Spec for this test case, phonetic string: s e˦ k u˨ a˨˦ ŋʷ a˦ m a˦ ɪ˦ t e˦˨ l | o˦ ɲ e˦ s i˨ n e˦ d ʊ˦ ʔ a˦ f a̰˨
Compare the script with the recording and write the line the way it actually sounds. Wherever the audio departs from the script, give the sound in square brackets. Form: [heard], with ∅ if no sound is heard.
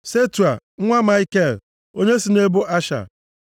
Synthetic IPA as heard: s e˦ [t] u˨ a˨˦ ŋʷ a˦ m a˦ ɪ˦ [k] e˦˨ l | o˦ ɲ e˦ s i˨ n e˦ [b] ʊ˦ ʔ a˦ [ʃ] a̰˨